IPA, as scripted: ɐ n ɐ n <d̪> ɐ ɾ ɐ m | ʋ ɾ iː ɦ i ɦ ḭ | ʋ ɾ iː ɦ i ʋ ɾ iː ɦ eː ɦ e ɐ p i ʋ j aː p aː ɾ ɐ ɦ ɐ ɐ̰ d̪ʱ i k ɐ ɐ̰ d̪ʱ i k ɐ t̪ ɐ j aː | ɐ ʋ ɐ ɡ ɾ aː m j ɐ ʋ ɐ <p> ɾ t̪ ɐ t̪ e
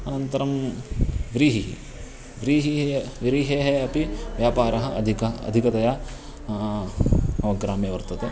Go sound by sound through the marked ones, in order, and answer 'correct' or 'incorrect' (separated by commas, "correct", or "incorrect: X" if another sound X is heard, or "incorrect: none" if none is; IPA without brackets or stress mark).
incorrect: t̪, incorrect: none